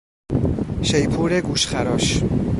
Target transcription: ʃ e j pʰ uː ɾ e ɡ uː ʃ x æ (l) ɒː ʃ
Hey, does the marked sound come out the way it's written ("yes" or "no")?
no